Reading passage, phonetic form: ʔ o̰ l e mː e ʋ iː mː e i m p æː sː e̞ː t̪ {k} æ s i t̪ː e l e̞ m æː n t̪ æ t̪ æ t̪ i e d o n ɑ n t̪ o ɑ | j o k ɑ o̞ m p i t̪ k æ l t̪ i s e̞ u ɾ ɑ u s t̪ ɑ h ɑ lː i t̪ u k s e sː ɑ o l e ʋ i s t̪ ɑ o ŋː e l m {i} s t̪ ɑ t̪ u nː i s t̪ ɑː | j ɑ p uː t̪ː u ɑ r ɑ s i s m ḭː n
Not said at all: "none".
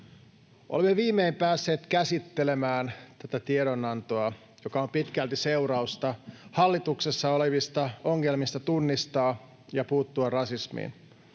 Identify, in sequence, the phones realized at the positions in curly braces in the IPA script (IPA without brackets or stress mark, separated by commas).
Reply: k, i